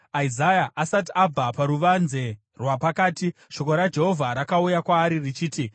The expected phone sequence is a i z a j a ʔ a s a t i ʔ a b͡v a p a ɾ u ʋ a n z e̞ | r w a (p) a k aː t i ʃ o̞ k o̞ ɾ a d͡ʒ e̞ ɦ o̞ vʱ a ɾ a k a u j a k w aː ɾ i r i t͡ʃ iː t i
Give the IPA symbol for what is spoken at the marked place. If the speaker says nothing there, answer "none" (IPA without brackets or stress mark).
p